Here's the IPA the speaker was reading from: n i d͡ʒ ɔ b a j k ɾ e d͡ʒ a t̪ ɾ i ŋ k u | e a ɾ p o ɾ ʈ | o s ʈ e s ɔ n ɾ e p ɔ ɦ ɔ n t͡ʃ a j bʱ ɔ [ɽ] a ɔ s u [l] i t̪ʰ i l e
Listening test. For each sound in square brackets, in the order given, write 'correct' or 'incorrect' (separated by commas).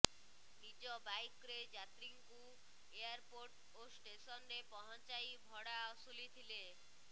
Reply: correct, correct